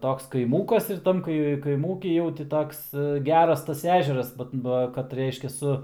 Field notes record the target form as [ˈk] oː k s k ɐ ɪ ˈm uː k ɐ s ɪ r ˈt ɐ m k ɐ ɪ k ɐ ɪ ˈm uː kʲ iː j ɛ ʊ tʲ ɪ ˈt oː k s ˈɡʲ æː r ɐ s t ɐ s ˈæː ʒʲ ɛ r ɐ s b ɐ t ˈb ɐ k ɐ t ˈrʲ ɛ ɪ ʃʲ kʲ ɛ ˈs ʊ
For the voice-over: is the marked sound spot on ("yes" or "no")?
no